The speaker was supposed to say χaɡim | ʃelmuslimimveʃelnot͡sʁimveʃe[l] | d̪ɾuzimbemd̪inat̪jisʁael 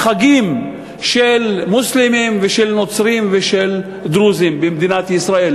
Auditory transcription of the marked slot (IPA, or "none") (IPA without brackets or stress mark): l